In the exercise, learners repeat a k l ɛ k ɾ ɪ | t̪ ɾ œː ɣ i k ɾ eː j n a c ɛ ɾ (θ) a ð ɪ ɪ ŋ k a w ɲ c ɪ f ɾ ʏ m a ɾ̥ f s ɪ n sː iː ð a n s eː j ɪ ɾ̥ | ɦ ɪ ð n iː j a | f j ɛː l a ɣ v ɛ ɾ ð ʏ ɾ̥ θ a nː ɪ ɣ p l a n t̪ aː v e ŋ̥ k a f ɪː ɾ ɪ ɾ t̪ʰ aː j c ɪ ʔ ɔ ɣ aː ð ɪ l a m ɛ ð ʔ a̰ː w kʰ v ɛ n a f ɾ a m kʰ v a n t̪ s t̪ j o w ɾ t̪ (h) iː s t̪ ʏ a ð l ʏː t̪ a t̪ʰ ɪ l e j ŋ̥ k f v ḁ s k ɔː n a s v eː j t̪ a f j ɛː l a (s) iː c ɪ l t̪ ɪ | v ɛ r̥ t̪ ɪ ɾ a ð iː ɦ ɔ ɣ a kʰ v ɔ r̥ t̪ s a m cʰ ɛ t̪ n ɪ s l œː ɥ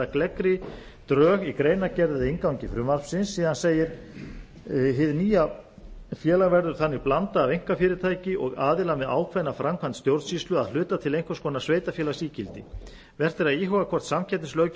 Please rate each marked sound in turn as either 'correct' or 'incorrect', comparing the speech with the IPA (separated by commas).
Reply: incorrect, incorrect, correct